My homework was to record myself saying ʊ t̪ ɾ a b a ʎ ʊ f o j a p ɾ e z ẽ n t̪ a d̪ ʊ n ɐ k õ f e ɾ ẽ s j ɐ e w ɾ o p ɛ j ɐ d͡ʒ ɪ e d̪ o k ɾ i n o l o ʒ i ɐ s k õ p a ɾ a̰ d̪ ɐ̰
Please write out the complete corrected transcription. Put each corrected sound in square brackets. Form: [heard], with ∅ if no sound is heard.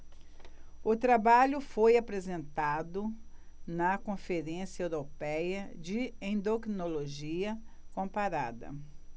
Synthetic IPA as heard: ʊ t̪ ɾ a b a ʎ ʊ f o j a p ɾ e z ẽ n t̪ a d̪ ʊ n ɐ k õ f e ɾ ẽ s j ɐ e w ɾ o p ɛ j ɐ d͡ʒ ɪ [ẽ] d̪ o k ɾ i n o l o ʒ i ɐ [∅] k õ p a ɾ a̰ d̪ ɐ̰

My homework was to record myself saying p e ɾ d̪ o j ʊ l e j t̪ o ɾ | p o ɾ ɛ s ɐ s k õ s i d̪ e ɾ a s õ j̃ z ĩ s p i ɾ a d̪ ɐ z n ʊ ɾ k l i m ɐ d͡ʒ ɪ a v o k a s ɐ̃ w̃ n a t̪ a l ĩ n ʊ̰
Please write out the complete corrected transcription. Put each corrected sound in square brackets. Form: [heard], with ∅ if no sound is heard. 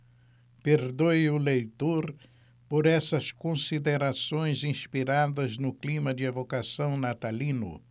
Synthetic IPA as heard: p e ɾ d̪ o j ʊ l e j t̪ o ɾ | p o ɾ ɛ s ɐ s k õ s i d̪ e ɾ a s õ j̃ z ĩ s p i ɾ a d̪ ɐ z n ʊ [∅] k l i m ɐ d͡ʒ ɪ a v o k a s ɐ̃ w̃ n a t̪ a l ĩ n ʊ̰

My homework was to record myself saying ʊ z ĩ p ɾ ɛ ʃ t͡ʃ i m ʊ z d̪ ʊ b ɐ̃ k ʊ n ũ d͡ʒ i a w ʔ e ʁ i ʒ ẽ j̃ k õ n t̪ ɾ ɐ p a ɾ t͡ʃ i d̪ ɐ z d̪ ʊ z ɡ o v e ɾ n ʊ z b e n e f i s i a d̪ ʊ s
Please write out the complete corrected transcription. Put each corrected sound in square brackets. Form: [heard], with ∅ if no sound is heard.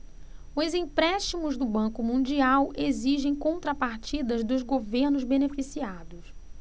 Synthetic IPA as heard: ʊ z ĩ p ɾ ɛ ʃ t͡ʃ i m ʊ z d̪ ʊ b ɐ̃ k ʊ [m] ũ d͡ʒ i a w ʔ e [z] i ʒ ẽ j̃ k õ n t̪ ɾ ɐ p a ɾ t͡ʃ i d̪ ɐ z d̪ ʊ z ɡ o v e ɾ n ʊ z b e n e f i s i a d̪ ʊ s

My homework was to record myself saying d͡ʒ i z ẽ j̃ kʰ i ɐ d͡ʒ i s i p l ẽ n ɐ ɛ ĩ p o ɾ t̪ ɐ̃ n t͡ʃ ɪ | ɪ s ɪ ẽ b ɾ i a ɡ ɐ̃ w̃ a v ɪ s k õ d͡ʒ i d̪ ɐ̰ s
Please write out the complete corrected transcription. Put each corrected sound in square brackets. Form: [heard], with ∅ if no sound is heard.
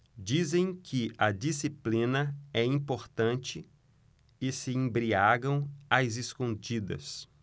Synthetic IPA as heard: d͡ʒ i z ẽ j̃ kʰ [ɪ] ɐ d͡ʒ i s i p l [ĩ] n ɐ ɛ ĩ p o ɾ t̪ ɐ̃ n t͡ʃ ɪ | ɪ s ɪ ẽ b ɾ i a ɡ ɐ̃ w̃ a [z] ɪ s k õ d͡ʒ i d̪ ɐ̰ s

